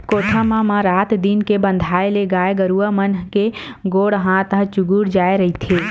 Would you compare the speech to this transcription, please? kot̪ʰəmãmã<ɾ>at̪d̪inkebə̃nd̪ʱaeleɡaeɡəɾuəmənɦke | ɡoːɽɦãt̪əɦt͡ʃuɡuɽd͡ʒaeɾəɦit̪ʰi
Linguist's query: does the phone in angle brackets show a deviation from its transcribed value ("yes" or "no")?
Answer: no